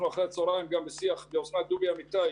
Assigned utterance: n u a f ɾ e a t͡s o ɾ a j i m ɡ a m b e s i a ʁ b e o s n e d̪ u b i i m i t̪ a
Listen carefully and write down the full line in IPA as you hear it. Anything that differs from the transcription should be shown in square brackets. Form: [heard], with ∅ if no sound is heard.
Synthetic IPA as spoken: n u a [χ] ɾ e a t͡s o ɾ a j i m ɡ a m b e s i a [χ] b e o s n [a] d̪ u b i [a] m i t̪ a